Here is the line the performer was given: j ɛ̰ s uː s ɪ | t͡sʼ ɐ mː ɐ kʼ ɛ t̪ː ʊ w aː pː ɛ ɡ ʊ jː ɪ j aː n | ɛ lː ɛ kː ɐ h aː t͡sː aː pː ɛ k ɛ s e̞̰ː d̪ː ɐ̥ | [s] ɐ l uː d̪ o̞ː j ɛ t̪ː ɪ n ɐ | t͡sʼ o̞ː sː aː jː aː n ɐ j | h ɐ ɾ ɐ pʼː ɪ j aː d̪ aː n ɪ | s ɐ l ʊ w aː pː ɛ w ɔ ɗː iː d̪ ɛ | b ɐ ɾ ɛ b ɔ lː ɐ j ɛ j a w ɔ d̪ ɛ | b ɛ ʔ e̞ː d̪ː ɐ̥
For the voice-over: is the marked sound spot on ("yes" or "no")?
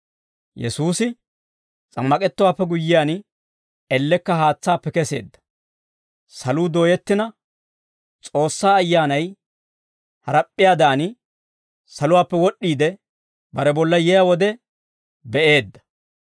yes